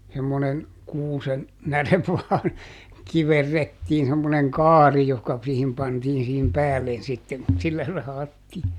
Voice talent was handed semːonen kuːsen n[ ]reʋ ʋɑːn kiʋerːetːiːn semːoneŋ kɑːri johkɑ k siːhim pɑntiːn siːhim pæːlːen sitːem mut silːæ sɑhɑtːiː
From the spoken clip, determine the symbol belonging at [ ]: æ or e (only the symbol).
æ